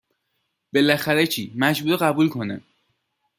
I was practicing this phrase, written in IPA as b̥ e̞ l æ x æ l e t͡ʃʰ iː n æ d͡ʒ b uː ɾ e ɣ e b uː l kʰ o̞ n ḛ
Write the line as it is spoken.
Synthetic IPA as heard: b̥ e̞ l æ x æ ɾ e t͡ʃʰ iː m æ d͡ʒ b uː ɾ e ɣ æ b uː l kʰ o̞ n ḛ